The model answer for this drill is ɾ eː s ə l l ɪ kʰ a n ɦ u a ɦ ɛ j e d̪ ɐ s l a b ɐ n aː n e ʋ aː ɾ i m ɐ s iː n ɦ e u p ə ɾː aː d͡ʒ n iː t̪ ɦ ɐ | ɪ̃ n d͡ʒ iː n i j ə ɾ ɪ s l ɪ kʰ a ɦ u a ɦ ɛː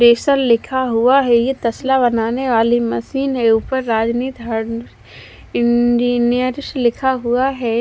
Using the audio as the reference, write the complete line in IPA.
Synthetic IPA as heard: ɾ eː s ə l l ɪ kʰ a ɦ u a ɦ ɛ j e t̪ ɐ s l a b ɐ n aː n e ʋ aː l i m ɐ s iː n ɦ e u p ə ɾː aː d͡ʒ n iː t̪ ɦ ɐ | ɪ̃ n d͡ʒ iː n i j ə ɾ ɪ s l ɪ kʰ a ɦ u a ɦ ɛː